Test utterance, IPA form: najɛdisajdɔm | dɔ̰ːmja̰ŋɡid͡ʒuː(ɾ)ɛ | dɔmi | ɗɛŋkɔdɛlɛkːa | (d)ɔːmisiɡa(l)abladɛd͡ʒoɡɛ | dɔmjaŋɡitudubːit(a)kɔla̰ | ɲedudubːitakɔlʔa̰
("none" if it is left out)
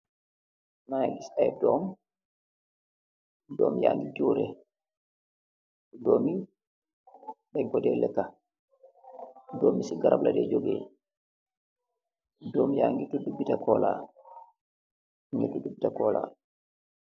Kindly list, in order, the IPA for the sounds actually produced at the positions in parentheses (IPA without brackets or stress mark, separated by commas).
ɾ, d, ɾ, a